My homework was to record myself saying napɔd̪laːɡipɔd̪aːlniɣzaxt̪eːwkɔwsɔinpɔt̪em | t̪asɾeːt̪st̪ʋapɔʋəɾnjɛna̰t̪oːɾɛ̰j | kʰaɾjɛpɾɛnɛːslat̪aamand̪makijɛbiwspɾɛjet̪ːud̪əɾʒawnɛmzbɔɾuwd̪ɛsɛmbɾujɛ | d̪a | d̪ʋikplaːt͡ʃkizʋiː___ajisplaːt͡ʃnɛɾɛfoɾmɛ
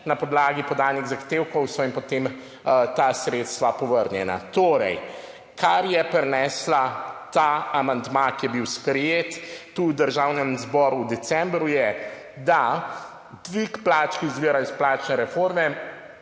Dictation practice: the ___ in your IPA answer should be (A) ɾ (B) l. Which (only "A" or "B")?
A